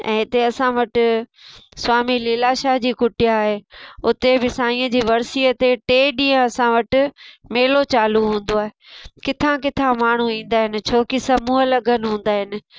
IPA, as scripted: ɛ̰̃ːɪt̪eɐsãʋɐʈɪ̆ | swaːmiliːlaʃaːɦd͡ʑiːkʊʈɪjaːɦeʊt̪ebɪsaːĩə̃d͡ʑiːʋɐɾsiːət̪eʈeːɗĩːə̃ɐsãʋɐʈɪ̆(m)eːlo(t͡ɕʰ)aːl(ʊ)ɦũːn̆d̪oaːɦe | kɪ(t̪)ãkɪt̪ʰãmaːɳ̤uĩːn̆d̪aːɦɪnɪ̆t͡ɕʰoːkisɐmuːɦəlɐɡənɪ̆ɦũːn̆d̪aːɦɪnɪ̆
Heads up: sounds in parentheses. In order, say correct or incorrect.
correct, incorrect: t͡ɕ, incorrect: u, incorrect: t̪ʰ

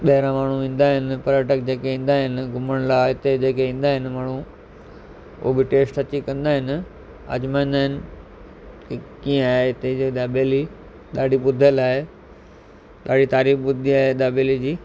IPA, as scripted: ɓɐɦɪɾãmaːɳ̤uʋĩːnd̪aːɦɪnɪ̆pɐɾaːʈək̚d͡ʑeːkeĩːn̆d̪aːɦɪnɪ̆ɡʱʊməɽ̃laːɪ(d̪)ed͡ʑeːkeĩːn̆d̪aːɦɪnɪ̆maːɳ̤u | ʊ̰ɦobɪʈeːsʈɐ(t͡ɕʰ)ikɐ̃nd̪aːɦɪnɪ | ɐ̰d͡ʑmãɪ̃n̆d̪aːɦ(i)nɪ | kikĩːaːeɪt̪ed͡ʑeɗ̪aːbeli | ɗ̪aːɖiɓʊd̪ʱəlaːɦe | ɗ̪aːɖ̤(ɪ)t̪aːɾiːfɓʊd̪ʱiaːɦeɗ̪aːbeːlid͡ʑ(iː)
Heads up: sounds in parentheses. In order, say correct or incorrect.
incorrect: t̪, incorrect: t͡ɕ, incorrect: ɪ, incorrect: i, correct

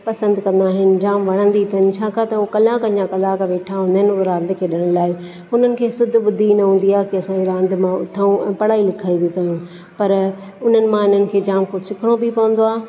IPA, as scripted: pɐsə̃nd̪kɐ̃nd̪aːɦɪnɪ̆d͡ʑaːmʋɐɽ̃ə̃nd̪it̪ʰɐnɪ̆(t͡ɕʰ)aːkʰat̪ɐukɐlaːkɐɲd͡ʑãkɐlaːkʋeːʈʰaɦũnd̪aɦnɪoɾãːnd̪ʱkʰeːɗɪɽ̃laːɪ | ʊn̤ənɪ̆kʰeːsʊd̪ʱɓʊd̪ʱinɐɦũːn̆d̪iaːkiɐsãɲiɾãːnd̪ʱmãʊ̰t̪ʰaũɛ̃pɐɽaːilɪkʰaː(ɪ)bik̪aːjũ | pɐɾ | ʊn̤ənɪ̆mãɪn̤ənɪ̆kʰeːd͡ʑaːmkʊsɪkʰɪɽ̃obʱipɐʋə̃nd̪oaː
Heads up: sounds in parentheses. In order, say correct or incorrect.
correct, incorrect: i

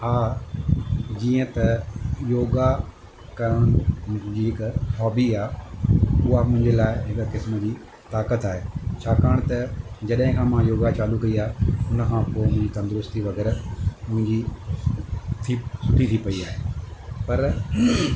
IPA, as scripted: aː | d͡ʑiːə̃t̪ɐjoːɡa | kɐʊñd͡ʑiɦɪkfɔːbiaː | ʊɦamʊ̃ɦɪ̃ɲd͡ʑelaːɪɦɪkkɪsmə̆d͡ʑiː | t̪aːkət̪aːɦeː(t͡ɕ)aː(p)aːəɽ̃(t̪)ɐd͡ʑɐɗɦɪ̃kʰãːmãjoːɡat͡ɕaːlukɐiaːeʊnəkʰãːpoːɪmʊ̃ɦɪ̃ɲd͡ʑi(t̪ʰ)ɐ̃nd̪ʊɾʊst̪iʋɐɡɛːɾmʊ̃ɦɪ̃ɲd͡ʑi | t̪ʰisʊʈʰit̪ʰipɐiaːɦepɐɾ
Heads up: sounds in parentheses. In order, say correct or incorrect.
incorrect: t͡ɕʰ, incorrect: k, correct, incorrect: t̪

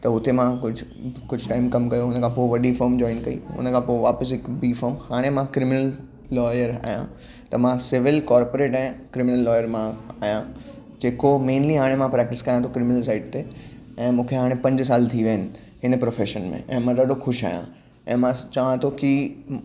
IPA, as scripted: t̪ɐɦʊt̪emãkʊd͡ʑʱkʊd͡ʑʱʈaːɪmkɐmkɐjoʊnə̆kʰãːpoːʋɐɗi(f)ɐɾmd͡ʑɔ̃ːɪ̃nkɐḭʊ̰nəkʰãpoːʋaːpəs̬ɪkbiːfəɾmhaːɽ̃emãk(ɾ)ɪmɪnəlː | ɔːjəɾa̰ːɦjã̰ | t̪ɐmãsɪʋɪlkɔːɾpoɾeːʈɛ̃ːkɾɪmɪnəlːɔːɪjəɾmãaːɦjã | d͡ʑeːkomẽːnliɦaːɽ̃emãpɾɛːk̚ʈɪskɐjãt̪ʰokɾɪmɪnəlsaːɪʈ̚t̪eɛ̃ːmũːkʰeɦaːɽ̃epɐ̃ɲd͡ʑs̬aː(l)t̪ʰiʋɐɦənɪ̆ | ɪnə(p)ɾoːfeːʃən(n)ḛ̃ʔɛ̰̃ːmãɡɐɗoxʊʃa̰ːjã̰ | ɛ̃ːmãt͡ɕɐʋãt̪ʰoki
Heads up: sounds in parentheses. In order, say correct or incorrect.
correct, correct, correct, correct, incorrect: m

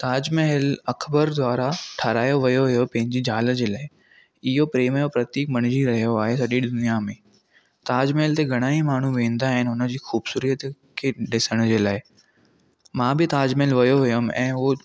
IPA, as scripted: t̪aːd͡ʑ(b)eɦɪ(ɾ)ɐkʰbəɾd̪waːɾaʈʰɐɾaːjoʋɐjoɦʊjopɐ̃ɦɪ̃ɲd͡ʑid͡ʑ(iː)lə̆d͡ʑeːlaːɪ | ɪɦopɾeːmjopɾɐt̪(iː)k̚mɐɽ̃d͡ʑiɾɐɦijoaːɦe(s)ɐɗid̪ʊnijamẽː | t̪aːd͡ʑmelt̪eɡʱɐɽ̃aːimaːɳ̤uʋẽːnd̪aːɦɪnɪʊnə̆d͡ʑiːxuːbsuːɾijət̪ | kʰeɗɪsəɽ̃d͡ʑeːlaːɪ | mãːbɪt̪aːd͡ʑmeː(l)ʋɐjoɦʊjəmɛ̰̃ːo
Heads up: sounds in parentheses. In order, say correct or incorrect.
incorrect: m, incorrect: l, incorrect: aː, correct, correct, correct

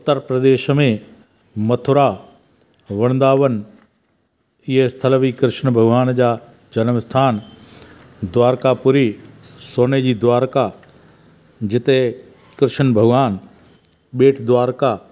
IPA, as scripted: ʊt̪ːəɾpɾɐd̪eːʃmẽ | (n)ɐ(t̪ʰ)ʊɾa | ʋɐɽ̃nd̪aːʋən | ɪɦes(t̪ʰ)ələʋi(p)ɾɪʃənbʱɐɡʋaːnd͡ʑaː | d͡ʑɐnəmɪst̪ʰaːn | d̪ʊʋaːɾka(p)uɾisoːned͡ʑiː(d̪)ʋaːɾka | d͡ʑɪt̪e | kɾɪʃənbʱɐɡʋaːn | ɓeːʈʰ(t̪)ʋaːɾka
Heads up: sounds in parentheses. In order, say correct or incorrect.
incorrect: m, correct, correct, incorrect: k, correct, correct, incorrect: d̪

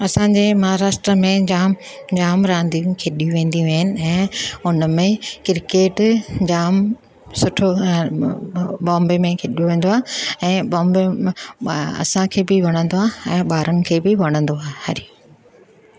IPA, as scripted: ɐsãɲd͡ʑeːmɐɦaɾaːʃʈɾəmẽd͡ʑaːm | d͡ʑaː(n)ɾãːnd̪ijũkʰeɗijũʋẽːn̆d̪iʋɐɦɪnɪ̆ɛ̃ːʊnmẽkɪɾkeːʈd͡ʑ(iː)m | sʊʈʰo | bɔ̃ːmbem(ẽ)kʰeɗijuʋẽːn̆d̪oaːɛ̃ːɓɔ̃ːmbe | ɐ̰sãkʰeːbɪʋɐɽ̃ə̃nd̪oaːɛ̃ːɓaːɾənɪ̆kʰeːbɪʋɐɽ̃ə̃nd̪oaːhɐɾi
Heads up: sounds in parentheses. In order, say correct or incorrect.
incorrect: m, incorrect: aː, correct

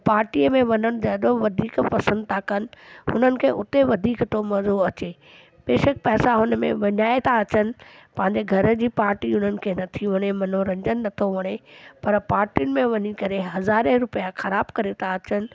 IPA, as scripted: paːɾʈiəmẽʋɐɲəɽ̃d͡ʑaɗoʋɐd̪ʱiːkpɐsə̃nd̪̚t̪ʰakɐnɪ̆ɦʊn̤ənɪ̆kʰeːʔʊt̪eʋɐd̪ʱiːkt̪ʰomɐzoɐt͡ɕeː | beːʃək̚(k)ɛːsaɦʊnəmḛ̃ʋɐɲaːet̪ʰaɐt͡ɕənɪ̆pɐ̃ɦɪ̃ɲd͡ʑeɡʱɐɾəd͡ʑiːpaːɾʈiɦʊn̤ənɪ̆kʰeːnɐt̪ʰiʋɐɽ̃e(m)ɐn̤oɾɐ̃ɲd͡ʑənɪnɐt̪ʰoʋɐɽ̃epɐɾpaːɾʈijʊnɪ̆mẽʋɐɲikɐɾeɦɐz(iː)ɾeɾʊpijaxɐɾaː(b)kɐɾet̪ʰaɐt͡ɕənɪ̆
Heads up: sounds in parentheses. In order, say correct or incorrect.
incorrect: p, correct, incorrect: aː, correct

